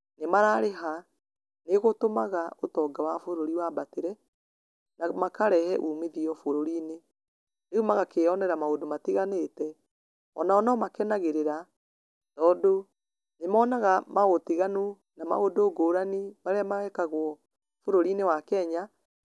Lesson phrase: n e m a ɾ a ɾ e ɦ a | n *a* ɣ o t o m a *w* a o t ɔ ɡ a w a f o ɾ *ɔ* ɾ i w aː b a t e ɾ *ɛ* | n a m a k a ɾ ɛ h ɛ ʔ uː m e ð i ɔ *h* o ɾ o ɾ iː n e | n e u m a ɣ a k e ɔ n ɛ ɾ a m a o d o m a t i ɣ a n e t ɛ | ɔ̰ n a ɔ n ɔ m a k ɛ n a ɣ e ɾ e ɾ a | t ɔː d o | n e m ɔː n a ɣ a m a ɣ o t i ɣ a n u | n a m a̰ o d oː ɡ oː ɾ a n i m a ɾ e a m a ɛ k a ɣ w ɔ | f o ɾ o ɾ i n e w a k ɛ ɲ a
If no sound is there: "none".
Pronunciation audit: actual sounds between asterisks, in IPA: e, ɣ, o, ɛ, f

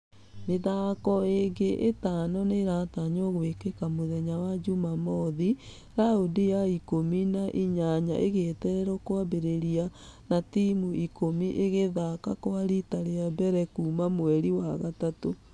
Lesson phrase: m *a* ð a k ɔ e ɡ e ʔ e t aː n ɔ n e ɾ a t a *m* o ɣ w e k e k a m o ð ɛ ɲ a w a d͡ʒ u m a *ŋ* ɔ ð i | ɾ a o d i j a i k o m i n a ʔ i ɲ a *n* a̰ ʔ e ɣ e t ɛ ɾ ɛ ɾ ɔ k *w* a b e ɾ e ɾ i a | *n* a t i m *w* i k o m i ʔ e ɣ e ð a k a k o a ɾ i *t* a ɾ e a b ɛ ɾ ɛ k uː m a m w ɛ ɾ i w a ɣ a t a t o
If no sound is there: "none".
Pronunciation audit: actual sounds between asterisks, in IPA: e, ɲ, m, ɲ, w, n, u, t

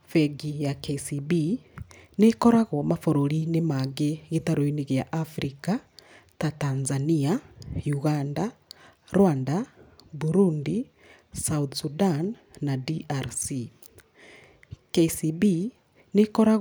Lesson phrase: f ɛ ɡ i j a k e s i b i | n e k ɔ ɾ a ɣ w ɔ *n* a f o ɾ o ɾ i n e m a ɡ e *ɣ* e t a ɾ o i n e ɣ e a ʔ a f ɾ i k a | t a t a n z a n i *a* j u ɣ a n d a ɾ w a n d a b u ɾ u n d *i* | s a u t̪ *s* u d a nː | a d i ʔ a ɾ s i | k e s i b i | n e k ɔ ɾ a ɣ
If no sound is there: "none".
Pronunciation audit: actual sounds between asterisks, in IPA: m, ɣ, a, i, s

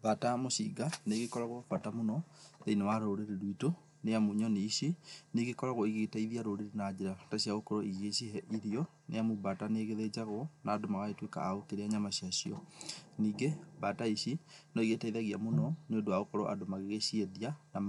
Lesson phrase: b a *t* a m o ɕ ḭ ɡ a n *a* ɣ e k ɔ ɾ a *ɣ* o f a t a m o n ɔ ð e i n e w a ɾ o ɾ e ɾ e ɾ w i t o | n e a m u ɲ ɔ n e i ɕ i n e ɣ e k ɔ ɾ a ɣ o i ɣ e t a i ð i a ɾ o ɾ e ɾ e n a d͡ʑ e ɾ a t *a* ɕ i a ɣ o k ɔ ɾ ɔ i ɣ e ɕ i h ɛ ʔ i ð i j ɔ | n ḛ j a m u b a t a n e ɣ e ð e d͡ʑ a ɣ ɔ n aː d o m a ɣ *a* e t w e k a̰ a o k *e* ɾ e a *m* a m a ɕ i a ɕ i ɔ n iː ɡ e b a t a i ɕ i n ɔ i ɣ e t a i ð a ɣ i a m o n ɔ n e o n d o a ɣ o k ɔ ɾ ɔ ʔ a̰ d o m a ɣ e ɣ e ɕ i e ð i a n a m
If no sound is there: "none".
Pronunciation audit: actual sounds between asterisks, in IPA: t, e, ɣ, a, a, e, ɲ

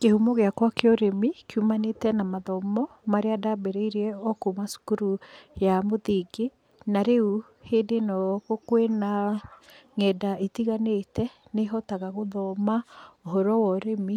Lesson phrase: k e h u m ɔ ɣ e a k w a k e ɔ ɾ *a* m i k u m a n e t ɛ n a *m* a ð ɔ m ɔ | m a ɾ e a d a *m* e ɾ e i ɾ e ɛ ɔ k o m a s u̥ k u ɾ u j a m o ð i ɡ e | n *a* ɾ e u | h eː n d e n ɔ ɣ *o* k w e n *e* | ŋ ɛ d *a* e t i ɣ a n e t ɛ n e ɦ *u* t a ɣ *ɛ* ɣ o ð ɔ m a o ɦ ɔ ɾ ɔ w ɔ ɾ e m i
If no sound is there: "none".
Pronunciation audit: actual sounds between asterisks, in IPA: e, m, b, a, o, a, a, ɔ, a

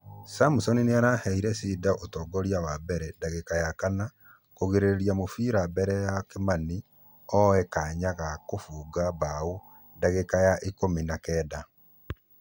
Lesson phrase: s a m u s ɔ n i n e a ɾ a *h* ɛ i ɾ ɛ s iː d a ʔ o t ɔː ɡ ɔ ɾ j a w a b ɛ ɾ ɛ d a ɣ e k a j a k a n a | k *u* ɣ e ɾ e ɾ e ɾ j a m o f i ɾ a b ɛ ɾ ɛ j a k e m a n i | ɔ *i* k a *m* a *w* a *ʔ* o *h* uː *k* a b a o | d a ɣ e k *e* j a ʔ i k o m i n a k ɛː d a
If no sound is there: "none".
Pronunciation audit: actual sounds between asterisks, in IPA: h, o, ɛ, ɲ, ɣ, k, f, ɡ, a

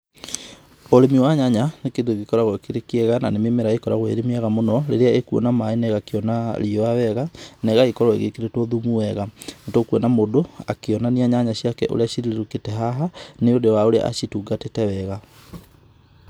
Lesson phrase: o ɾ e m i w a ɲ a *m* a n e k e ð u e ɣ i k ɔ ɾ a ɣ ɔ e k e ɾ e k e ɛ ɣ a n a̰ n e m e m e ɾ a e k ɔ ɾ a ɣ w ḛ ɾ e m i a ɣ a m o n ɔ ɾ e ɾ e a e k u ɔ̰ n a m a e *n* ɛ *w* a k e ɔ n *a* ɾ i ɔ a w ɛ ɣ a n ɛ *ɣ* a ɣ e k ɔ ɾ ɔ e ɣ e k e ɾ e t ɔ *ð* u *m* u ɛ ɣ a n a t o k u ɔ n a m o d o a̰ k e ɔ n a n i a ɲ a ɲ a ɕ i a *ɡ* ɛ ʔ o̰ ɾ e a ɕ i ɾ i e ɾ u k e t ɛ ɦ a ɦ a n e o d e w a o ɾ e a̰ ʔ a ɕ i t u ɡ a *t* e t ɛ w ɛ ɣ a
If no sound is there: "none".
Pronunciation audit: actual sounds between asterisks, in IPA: ɲ, n, ɣ, a, ɣ, ð, m, k, t

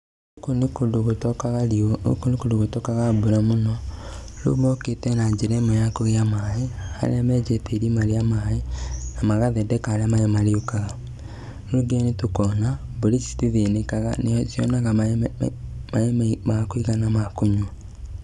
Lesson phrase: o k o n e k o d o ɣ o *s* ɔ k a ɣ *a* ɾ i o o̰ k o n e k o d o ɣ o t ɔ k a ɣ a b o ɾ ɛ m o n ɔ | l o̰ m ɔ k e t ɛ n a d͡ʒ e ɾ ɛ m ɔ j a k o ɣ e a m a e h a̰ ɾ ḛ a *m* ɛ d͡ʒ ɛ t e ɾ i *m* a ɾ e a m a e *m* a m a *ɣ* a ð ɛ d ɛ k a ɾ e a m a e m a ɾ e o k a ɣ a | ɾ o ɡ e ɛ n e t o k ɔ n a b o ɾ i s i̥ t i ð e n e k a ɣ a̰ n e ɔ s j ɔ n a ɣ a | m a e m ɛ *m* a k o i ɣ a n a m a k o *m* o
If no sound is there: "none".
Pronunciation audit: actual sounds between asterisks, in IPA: t, a, m, m, n, ɣ, m, ɲ

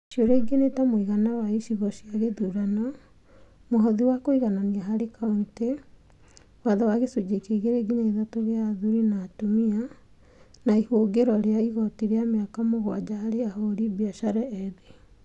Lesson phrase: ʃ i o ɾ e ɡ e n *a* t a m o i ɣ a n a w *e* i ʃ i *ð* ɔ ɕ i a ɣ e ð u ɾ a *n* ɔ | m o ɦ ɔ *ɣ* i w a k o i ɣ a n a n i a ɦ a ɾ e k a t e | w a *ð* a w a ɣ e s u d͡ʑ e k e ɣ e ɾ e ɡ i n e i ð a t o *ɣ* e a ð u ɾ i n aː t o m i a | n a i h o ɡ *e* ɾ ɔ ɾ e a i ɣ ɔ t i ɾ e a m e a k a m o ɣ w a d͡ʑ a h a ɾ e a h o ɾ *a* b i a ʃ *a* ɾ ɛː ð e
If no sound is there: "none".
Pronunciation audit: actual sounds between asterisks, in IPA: e, a, ɣ, n, ð, ð, ɣ, e, i, a

